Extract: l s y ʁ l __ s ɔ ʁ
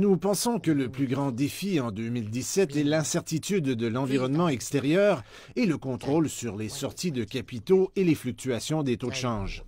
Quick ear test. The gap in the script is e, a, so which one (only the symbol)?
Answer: e